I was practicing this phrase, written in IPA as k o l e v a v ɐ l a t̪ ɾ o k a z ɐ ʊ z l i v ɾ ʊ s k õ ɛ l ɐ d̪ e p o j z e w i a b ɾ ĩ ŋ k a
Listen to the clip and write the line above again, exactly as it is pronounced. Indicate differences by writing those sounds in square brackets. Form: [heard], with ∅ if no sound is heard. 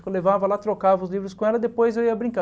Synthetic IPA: k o l e v a v ɐ l a t̪ ɾ o k a [v] ɐ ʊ z l i v ɾ ʊ s k õ ɛ l ɐ d̪ e p o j z e w i [ɐ] b ɾ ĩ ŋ k a